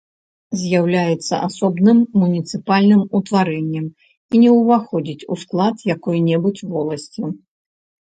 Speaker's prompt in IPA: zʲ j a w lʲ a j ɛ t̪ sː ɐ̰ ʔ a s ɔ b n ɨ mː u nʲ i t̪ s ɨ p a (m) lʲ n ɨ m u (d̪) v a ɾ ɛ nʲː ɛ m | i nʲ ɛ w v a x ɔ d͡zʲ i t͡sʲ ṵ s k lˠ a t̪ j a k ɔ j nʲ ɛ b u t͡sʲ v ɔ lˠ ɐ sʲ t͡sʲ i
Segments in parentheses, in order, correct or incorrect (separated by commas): incorrect, incorrect